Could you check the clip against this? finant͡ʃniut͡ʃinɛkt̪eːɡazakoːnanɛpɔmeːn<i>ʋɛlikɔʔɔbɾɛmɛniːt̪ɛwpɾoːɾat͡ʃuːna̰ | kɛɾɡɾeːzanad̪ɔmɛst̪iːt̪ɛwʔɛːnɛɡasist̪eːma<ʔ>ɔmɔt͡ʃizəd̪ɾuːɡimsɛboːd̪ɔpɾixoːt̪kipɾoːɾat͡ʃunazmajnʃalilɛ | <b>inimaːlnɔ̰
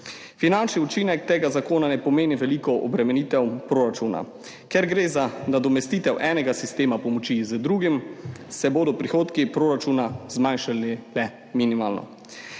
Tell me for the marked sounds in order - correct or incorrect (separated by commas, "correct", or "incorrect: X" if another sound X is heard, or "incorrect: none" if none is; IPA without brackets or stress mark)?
correct, incorrect: p, incorrect: m